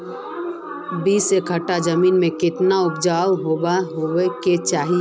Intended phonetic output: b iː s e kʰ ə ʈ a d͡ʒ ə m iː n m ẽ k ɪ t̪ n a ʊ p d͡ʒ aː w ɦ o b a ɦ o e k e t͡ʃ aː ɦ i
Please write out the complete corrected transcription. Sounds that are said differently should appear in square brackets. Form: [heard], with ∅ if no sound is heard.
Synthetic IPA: b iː s e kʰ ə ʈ a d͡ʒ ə m iː n m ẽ k ɪ t̪ n a ʊ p d͡ʒ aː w ɦ o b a ɦ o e k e t͡ʃ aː ɦ i